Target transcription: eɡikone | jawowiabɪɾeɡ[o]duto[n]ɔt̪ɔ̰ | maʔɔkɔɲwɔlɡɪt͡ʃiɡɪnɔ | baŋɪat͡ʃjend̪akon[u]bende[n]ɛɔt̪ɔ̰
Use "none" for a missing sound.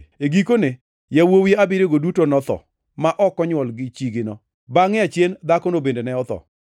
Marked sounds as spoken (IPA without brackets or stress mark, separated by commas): o, n, o, n